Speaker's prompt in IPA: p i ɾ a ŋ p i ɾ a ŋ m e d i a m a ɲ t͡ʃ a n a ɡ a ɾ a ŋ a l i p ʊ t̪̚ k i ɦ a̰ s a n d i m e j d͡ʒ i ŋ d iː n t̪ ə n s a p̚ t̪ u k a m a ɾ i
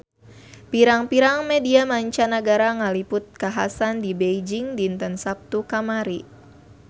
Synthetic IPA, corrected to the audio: p i ɾ a ŋ p i ɾ a ŋ m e d i a m a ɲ t͡ʃ a n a ɡ a ɾ a ŋ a l i p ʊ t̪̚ k a ɦ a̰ s a n d i b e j d͡ʒ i ŋ d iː n t̪ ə n s a p̚ t̪ u k a m a ɾ i